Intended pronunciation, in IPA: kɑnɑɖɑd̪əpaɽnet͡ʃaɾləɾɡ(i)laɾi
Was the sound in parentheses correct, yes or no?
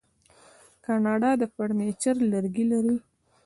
yes